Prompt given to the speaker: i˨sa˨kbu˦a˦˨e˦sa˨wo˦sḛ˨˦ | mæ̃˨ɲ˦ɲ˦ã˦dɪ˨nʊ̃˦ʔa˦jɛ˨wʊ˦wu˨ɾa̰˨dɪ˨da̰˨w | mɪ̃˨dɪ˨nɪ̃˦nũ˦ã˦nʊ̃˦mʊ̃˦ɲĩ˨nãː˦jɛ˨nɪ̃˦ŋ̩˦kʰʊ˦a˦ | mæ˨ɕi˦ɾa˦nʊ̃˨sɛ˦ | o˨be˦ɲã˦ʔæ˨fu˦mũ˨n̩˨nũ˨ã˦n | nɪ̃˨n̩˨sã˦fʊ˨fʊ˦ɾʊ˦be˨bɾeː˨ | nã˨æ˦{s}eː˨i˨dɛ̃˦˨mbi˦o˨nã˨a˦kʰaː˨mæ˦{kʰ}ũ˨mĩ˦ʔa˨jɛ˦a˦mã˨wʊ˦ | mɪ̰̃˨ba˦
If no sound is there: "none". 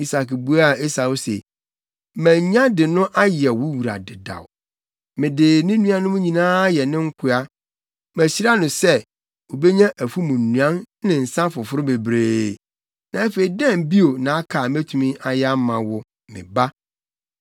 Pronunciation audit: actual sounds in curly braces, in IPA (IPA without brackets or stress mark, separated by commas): f, tʰ